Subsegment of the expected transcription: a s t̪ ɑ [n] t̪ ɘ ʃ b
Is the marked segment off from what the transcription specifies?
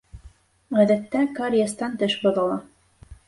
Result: no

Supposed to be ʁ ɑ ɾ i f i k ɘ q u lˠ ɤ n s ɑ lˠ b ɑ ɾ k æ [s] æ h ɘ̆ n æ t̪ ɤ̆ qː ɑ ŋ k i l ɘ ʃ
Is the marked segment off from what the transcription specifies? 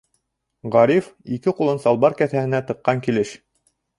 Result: yes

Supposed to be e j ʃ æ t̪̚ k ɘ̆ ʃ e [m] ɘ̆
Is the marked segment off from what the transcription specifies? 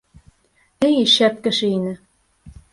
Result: yes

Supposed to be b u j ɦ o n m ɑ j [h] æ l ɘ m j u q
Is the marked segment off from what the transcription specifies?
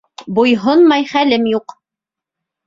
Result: yes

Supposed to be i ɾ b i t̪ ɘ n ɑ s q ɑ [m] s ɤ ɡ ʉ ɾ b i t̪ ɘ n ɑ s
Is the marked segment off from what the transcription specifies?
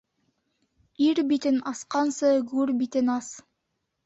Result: yes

